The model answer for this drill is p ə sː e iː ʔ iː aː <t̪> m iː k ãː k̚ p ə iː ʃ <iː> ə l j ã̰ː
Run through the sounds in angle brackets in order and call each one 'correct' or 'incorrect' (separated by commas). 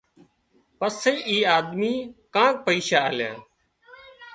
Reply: incorrect, incorrect